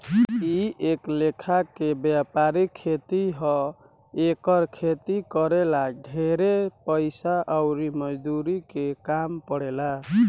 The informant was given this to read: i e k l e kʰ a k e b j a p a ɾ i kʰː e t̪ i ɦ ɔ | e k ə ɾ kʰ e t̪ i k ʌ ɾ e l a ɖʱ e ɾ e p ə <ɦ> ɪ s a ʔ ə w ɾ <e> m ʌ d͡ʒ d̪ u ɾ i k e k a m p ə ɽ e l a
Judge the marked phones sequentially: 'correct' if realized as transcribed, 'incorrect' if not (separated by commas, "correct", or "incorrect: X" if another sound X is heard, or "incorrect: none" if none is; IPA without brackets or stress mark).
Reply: incorrect: none, incorrect: i